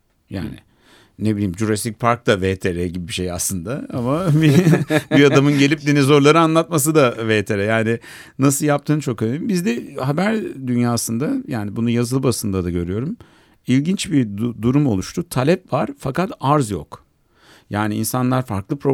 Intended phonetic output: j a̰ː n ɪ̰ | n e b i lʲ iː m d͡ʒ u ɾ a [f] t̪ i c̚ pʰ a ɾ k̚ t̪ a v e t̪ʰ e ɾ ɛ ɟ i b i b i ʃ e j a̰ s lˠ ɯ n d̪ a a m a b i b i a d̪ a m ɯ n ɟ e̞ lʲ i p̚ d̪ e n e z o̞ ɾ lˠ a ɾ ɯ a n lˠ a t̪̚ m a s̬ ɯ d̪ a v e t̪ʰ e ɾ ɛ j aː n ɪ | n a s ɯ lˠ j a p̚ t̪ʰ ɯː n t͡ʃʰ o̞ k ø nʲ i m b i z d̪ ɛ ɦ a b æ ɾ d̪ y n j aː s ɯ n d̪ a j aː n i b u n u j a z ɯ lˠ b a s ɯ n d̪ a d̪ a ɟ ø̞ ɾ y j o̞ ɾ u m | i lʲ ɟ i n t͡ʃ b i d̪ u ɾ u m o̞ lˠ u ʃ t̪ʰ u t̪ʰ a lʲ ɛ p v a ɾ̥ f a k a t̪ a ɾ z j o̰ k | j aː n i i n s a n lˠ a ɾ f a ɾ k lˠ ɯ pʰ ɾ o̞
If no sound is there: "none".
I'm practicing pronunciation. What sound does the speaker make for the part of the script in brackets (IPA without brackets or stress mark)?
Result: s